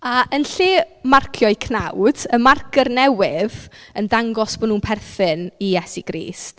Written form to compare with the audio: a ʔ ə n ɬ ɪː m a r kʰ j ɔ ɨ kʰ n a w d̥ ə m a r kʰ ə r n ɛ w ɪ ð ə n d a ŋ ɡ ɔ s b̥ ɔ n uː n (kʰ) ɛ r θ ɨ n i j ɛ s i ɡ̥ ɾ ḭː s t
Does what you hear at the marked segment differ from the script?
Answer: yes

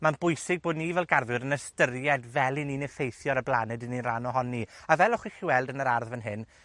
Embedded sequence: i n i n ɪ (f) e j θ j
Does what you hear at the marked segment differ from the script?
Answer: no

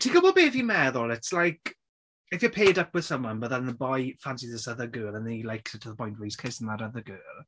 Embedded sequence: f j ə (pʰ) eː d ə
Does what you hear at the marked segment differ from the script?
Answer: no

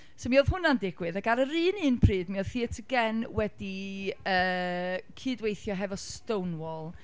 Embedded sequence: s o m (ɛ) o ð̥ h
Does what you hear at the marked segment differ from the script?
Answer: yes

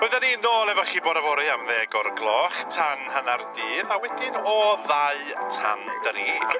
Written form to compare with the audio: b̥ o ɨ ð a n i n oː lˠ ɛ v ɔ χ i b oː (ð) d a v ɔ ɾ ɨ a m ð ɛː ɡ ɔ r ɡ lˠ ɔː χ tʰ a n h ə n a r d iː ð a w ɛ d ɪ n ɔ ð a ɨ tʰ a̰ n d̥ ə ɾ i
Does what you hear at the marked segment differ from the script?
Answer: yes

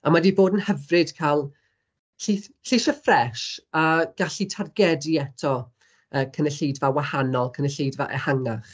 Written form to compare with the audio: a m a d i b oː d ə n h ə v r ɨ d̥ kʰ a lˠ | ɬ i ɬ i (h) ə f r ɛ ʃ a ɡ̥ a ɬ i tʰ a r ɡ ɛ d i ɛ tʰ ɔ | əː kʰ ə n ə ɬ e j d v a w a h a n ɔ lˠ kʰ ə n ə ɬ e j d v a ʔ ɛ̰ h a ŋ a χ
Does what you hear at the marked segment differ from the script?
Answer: yes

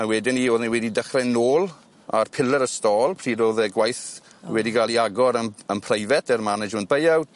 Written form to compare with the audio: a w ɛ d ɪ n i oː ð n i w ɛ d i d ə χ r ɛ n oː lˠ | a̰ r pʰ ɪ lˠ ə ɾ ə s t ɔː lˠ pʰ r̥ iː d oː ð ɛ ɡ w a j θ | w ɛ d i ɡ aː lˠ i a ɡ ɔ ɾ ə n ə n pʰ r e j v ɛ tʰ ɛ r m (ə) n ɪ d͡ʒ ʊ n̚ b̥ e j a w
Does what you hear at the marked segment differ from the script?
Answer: yes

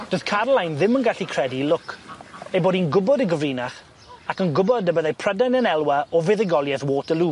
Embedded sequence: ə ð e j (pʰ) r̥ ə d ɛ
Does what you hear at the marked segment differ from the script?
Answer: no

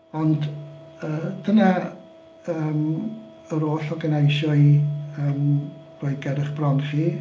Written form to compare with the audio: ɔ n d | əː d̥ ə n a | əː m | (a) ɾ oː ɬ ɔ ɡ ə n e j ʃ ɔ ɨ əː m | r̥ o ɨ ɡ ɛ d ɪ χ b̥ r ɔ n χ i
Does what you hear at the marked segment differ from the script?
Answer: yes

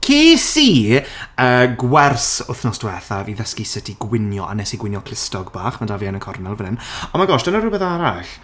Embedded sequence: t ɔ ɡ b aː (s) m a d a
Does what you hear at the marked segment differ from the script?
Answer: yes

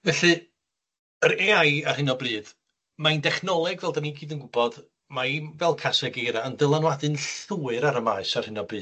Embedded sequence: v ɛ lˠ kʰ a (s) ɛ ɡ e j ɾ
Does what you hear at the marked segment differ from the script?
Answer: no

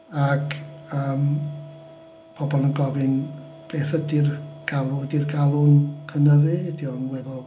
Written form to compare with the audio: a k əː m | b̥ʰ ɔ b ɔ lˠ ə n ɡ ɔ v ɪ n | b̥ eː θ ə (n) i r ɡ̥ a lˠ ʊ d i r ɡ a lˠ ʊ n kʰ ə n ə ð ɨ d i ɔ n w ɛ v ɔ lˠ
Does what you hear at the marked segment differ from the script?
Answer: yes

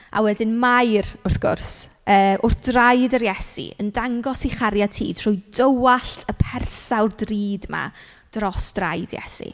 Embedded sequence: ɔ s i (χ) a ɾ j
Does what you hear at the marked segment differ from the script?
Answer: no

